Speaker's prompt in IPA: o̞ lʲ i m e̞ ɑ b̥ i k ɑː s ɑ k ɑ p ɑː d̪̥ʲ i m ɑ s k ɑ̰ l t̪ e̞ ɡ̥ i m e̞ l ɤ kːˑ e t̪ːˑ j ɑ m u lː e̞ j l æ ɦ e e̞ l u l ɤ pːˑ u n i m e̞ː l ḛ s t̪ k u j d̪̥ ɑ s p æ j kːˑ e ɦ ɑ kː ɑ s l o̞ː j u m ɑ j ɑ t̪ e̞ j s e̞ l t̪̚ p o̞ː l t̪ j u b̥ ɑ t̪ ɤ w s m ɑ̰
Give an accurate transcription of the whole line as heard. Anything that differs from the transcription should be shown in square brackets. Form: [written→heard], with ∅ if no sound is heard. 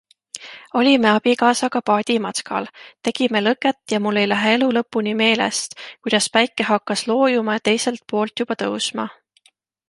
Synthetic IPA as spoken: o̞ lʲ i m e̞ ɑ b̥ i k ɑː s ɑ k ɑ p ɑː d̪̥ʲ i m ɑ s k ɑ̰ l t̪ e̞ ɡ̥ i m e̞ l ɤ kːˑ e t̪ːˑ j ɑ m u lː e̞ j l æ ɦ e e̞ l u l ɤ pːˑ u n i m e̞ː l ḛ s t̪ k u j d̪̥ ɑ s p æ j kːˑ e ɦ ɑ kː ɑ s l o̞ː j u m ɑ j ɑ t̪ e̞ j s e̞ l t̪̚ p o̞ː l t̪ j u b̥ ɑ t̪ ɤ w s m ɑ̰

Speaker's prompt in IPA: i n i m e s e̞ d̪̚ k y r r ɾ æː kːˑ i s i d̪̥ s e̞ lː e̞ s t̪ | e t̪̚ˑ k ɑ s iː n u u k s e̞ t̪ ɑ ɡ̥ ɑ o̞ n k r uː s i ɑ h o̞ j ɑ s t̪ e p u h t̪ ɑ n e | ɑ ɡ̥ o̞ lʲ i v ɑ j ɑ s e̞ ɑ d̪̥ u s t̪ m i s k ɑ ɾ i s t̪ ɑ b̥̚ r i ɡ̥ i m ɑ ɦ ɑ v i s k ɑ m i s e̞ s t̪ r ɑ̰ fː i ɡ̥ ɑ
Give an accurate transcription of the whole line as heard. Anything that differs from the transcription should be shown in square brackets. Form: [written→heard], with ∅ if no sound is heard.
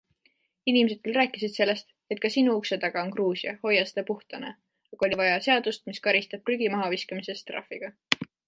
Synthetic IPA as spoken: i n i m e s e̞ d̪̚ k y [r→l] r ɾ æː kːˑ i s i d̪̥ s e̞ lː e̞ s t̪ | e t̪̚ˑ k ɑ s [iː→i] n u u k s e̞ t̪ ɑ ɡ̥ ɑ o̞ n k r uː s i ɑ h o̞ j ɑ s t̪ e p u h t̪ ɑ n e | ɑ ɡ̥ o̞ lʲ i v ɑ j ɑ s e̞ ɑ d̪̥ u s t̪ m i s k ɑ ɾ i s t̪ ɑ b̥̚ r [i→y] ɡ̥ i m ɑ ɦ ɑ v i s k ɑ m i s e̞ s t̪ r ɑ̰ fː i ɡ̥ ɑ

